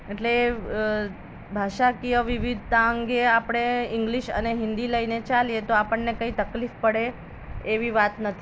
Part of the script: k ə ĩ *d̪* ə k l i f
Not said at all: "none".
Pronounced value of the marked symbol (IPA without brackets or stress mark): t̪